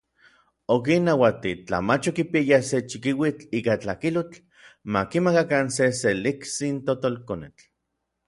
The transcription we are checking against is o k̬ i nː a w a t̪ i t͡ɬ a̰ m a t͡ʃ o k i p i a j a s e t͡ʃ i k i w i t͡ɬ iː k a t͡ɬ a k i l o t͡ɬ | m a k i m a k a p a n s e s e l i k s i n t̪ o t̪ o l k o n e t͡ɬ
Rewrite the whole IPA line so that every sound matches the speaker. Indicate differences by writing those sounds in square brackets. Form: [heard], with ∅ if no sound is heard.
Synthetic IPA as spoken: o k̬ i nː a w a t̪ i t͡ɬ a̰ m a t͡ʃ o k i p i a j a s e t͡ʃ i k i w i t͡ɬ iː k a t͡ɬ a k i l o t͡ɬ | m a k i m a k a [k] a n s e s e l i k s i n t̪ o t̪ o l k o n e t͡ɬ